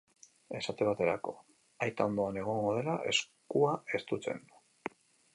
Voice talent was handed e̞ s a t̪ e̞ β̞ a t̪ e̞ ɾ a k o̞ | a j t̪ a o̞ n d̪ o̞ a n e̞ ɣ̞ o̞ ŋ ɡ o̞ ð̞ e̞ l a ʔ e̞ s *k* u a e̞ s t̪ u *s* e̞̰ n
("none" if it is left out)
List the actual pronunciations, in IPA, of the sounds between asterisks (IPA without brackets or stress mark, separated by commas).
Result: k, t͡s